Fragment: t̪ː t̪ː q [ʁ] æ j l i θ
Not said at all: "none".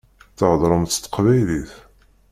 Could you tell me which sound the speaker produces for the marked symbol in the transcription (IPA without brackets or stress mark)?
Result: v